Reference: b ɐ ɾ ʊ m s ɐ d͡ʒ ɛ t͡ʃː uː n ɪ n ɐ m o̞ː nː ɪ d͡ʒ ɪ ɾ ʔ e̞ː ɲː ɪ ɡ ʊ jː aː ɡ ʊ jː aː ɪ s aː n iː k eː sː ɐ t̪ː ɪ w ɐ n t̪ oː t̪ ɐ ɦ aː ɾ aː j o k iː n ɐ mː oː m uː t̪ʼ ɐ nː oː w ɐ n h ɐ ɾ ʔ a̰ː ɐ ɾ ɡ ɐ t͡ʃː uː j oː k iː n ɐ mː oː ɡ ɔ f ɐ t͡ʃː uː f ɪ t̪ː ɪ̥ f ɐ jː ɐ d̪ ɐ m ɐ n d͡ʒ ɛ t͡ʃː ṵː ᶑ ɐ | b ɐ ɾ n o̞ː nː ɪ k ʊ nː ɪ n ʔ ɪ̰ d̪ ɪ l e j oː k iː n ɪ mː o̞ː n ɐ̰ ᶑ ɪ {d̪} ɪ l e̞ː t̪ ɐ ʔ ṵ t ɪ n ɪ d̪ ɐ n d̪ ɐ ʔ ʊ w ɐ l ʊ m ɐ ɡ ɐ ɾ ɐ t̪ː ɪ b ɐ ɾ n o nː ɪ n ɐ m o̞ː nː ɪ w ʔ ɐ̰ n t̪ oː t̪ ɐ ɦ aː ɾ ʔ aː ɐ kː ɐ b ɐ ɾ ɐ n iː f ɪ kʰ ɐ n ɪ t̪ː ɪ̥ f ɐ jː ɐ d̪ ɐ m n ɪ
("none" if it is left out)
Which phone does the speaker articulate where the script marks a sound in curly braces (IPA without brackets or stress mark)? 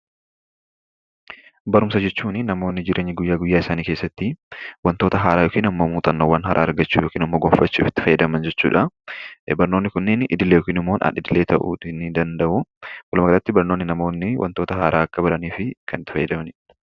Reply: d̪